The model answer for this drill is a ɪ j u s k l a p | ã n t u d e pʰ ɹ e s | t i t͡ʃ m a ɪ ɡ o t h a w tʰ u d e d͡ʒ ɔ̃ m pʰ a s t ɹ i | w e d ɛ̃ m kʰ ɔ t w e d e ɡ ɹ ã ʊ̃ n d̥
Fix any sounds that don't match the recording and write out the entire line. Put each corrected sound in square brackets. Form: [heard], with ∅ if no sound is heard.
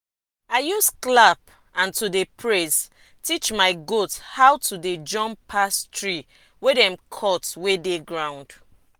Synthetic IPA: a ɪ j u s k l a p | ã n t u d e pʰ ɹ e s | t i t͡ʃ m a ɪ ɡ o t h a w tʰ u d e d͡ʒ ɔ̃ m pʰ a s t ɹ i | w e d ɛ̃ m kʰ ɔ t w e d e ɡ ɹ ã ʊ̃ n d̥